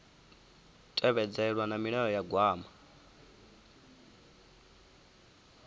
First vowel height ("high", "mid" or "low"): mid